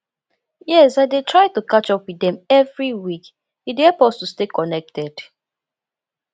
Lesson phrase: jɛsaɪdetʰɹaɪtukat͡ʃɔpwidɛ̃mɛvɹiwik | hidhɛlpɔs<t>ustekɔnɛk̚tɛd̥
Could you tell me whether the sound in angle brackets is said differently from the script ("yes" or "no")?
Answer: no